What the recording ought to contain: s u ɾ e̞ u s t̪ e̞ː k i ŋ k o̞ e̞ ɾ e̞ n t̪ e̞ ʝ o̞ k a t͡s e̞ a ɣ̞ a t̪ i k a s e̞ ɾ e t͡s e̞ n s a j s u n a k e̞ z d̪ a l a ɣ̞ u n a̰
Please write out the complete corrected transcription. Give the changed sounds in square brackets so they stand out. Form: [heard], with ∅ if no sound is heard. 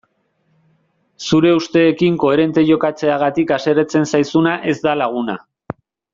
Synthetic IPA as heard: s u ɾ e̞ u s t̪ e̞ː k i ŋ k o̞ e̞ ɾ e̞ n t̪ e̞ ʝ o̞ k a t͡s e̞ a ɣ̞ a t̪ i k a s e̞ ɾ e t͡s e̞ n s a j s u n a [ʔ] e̞ z d̪ a l a ɣ̞ u n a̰